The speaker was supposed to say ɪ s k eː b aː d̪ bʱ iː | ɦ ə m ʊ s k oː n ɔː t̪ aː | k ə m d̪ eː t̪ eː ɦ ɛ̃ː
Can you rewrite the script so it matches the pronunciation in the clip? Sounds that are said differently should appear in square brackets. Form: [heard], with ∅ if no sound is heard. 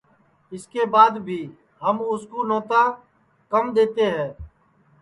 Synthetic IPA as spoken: ɪ s k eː b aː d̪ bʱ iː | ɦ ə m ʊ s k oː n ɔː t̪ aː | k ə m d̪ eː t̪ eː ɦ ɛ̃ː